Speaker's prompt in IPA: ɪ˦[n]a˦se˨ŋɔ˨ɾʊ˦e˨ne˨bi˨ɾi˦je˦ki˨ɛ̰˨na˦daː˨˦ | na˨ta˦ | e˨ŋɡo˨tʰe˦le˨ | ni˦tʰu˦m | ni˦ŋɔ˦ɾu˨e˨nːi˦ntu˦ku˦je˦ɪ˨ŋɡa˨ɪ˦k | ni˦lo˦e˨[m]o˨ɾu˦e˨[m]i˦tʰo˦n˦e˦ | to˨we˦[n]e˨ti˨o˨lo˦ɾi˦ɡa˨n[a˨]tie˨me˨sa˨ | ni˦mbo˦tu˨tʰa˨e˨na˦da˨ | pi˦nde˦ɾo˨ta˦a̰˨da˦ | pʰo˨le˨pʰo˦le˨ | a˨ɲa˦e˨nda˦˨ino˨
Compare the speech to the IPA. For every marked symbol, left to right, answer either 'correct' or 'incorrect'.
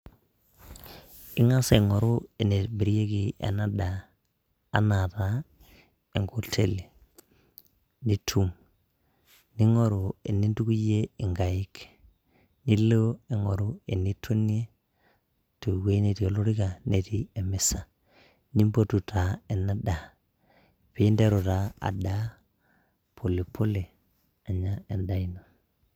incorrect, incorrect, incorrect, correct, incorrect

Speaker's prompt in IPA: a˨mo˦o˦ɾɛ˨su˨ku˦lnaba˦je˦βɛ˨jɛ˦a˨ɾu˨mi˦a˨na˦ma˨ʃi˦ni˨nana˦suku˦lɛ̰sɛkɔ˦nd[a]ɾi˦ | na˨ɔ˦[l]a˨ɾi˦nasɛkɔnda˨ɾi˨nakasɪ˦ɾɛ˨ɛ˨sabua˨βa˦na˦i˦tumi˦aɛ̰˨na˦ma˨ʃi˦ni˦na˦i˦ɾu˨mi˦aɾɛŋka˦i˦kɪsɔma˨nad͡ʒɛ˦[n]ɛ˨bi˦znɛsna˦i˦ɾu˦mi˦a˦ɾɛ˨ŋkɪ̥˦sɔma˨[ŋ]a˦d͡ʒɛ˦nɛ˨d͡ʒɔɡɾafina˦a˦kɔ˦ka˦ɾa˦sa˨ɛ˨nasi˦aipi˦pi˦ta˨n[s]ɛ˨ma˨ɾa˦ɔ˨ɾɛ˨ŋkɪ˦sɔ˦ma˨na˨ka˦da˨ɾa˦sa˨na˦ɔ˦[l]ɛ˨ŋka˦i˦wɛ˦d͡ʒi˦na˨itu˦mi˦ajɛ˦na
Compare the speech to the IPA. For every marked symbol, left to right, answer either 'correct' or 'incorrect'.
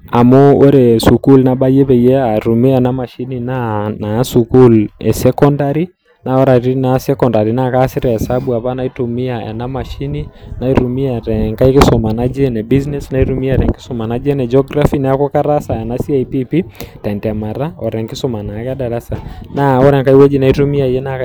correct, incorrect, correct, incorrect, incorrect, incorrect

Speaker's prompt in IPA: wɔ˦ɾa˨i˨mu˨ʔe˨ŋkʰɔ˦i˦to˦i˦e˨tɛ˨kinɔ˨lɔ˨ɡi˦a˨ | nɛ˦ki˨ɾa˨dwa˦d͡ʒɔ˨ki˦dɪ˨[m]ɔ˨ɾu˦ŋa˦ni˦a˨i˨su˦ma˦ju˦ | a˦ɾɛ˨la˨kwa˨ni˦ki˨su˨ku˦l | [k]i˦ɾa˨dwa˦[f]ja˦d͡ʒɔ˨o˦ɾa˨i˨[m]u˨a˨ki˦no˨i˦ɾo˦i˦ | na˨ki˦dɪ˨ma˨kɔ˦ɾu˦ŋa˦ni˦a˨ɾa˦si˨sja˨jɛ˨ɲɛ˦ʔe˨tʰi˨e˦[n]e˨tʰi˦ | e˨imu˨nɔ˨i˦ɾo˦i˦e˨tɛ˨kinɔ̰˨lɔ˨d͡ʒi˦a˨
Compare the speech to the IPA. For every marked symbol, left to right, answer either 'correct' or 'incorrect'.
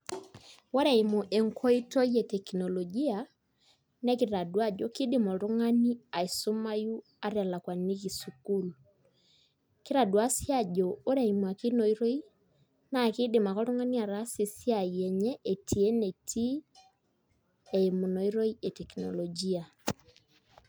correct, correct, incorrect, correct, correct

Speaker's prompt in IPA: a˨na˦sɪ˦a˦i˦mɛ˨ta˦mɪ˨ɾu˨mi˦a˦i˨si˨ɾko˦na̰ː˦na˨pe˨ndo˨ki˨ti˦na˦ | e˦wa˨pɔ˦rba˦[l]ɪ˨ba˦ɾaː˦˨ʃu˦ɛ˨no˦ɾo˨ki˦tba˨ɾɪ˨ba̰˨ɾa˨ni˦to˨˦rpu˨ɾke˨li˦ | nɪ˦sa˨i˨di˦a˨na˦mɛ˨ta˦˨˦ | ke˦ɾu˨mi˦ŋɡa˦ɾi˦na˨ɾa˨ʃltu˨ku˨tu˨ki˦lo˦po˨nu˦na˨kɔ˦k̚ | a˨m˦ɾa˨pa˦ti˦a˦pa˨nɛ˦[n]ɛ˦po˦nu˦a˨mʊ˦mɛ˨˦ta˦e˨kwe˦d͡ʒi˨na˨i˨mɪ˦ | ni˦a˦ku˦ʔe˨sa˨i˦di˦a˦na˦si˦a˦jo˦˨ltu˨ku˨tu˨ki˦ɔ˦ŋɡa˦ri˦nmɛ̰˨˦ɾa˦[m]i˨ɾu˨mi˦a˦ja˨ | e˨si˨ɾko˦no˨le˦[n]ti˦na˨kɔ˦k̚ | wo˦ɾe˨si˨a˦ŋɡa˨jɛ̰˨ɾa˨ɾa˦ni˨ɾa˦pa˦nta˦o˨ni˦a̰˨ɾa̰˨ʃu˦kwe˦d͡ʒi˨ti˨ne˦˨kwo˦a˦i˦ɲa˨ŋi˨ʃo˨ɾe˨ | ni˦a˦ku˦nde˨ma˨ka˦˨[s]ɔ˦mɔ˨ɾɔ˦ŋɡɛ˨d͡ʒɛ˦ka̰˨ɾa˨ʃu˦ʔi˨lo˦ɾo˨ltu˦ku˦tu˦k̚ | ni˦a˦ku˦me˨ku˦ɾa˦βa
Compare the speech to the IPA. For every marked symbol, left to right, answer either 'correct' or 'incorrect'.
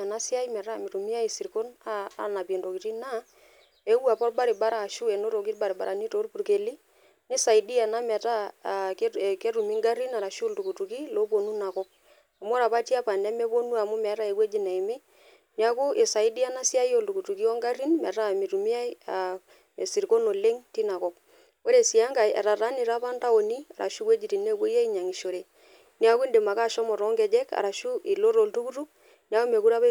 incorrect, incorrect, correct, incorrect, incorrect

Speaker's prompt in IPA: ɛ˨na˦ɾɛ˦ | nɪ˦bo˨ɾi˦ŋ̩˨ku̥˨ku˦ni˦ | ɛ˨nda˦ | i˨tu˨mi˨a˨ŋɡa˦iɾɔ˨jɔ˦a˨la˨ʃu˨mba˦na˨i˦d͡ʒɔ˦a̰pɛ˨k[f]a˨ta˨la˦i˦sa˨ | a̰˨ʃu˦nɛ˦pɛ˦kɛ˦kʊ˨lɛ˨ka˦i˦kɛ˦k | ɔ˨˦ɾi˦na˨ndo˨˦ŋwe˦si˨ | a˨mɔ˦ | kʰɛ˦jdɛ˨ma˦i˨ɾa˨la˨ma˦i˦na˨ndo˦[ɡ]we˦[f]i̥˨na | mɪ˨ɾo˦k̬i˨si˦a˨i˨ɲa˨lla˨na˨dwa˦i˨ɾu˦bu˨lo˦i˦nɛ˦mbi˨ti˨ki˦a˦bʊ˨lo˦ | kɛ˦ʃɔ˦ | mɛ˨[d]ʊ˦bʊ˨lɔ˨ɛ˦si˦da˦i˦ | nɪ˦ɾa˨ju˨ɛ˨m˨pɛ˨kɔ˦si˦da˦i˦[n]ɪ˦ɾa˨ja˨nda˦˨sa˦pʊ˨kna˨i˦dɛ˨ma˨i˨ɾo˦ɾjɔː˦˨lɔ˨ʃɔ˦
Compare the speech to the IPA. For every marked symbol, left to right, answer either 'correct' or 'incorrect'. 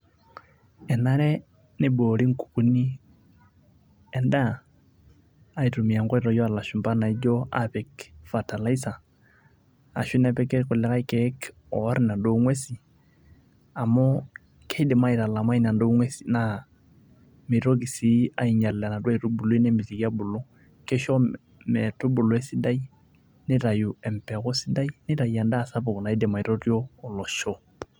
correct, incorrect, incorrect, incorrect, correct

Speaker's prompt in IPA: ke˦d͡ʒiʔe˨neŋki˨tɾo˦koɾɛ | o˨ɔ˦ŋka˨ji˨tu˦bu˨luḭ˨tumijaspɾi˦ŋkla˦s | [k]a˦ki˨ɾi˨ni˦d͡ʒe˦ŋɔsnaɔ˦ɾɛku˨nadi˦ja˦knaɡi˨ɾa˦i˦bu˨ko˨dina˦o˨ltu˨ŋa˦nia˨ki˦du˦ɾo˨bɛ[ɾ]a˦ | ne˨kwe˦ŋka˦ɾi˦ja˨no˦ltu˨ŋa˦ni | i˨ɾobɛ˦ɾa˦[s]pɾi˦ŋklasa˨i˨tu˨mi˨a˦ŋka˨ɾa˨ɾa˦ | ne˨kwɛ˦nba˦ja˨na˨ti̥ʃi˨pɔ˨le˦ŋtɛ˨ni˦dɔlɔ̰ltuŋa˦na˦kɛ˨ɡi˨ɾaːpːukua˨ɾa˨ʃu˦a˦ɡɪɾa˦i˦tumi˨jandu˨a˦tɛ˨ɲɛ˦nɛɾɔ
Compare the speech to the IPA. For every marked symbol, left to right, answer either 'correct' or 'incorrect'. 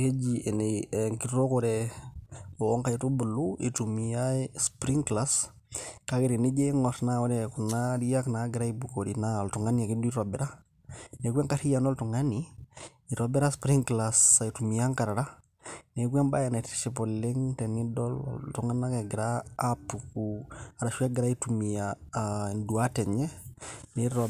correct, correct, correct

